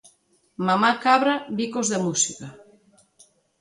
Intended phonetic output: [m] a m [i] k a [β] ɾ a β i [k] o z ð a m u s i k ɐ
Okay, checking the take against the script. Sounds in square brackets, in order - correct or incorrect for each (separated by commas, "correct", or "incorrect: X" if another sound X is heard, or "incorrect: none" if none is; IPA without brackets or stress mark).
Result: correct, incorrect: a, correct, correct